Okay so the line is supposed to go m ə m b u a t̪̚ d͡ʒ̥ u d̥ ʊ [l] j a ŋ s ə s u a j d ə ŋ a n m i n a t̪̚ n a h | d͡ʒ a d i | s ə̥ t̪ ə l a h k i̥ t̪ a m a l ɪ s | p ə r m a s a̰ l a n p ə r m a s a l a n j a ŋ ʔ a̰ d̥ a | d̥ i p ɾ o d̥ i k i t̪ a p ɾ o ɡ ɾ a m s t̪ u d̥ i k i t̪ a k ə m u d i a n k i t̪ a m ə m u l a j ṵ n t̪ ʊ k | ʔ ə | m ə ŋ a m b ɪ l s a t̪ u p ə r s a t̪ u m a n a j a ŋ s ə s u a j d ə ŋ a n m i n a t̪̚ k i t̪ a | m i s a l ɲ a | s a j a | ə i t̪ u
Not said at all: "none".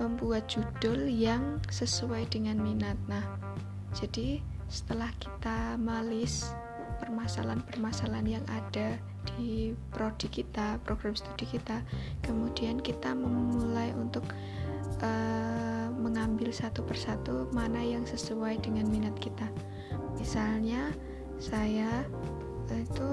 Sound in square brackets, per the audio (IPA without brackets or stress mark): l